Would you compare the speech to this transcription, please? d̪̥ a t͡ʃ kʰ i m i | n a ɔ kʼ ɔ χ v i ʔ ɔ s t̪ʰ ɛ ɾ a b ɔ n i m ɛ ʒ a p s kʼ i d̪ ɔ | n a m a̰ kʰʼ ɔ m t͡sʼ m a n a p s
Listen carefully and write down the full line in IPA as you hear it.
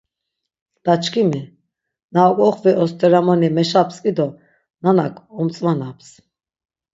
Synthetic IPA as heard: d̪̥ a t͡ʃ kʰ i m i | n a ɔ kʼ ɔ χ v i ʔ ɔ s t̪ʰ ɛ ɾ a m ɔ n i m ɛ ʃ a p s kʼ i d̪ ɔ | n a n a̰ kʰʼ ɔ m t͡sʼ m a n a p s

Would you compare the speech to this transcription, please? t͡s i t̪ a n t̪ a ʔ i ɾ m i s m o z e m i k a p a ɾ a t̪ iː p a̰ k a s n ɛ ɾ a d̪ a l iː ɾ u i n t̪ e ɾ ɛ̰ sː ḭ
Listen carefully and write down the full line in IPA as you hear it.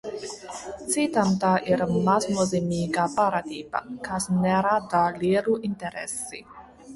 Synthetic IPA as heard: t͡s i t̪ a n t̪ a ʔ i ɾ m a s m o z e m i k a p a ɾ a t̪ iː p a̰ k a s n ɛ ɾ a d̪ a l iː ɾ u i n t̪ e ɾ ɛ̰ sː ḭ

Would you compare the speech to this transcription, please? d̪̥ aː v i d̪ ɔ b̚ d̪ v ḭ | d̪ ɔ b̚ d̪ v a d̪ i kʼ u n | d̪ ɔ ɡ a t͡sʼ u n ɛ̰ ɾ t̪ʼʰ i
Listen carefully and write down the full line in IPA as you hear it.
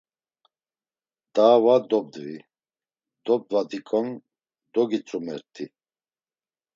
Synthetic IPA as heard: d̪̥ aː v a d̪ ɔ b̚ d̪ v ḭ | d̪ ɔ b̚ d̪ v a d̪ i kʼ ɔ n | d̪ ɔ ɡ i t͡sʼ u m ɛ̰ ɾ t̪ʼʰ i

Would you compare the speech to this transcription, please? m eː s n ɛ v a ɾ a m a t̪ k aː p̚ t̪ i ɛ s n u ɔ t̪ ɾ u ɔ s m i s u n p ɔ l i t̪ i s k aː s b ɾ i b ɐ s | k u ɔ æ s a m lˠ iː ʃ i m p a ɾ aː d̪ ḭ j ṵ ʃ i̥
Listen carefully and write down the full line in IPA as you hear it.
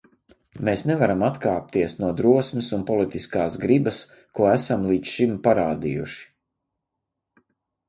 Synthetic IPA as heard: m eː s n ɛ v a ɾ a m a t̪ k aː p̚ t̪ i ɛ s n u ɔ d̪ ɾ u ɔ s m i s u n p ɔ l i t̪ i s k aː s ɡ ɾ i b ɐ s | k u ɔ æ s a m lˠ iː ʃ i m p a ɾ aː d̪ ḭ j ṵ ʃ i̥

